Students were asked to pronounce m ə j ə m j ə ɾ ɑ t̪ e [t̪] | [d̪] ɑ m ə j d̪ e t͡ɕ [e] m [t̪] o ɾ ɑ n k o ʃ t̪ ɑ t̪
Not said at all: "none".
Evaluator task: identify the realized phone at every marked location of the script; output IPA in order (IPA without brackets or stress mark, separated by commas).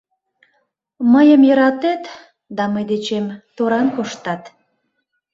t̪, d̪, e, t̪